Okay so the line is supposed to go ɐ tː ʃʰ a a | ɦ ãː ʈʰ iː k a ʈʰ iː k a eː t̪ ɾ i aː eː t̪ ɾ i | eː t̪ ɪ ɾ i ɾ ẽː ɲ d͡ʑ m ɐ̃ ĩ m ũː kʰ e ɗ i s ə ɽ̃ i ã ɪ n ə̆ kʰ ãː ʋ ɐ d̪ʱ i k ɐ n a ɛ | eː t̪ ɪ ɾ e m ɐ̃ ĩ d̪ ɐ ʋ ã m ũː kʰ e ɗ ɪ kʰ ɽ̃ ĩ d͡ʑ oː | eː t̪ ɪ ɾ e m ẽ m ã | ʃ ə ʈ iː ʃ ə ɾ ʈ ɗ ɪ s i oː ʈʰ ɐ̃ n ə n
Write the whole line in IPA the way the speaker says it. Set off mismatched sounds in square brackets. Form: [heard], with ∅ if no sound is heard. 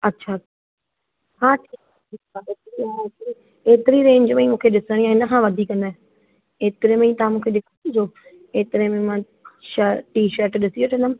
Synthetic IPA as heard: ɐ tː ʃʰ a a | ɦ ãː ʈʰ iː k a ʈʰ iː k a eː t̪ ɾ i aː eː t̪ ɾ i | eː t̪ ɪ ɾ i ɾ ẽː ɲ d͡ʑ m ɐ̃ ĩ m ũː kʰ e ɗ [ɪ] s ə ɽ̃ i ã ɪ n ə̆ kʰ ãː ʋ ɐ d̪ʱ i k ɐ n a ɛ | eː t̪ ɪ ɾ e m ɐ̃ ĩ [t̪] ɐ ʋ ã m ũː kʰ e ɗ ɪ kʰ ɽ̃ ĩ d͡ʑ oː | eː t̪ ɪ ɾ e m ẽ m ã | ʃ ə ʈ iː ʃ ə ɾ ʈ ɗ ɪ s i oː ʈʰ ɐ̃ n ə [m]